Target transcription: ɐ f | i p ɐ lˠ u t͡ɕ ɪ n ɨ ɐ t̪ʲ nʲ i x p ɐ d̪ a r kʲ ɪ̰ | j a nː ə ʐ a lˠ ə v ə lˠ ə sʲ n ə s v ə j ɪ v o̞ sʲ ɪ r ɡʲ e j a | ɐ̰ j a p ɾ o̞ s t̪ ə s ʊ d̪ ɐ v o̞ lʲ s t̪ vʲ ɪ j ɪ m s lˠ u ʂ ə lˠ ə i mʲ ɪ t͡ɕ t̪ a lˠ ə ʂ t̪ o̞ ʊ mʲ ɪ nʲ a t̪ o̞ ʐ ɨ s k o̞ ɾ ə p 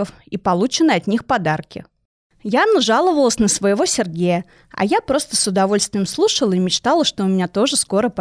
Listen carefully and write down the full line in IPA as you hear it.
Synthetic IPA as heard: ə f | i p ɐ lˠ u t͡ɕ ɪ n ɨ ɐ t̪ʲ nʲ i x p ɐ d̪ a r kʲ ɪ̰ | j a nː ə ʐ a lˠ ə v ə lˠ ə sʲ n ə s v ə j ɪ v o̞ sʲ ɪ r ɡʲ e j ə | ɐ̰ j a p ɾ o̞ s t̪ ə s ʊ d̪ ɐ v o̞ lʲ s t̪ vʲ ɪ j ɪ m s lˠ u ʂ ə lˠ ə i mʲ ɪ t͡ɕ t̪ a lˠ ə ʂ t̪ o̞ ʊ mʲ ɪ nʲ a t̪ o̞ ʐ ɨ s k o̞ ɾ ə p